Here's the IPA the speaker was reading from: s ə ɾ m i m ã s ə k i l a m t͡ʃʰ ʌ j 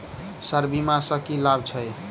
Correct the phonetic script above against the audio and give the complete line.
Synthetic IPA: s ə ɾ b i m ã s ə k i l a b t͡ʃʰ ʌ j